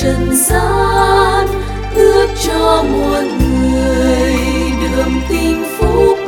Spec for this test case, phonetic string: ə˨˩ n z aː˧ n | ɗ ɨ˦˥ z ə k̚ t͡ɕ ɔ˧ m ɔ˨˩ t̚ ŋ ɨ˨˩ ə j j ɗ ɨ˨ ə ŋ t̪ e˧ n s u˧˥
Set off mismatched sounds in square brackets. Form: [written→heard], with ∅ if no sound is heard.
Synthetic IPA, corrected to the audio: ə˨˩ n z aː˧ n | ɗ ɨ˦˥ [z→∅] ə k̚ t͡ɕ ɔ˧ m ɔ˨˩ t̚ ŋ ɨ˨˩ ə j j ɗ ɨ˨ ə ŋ t̪ [e˧→i˧] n [s→f] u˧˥